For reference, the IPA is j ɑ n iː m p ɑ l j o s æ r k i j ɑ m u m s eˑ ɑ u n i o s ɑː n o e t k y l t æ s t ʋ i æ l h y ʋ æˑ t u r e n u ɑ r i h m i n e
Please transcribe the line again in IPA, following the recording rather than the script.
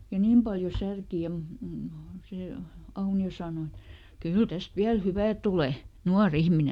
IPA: j ɑ n iː m p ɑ l j o s æ r k i j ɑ m u m s eˑ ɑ u n i o s ɑː n o e t k y l t æ s t ʋ i æ l h y ʋ æˑ t u l e n u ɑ r i h m i n e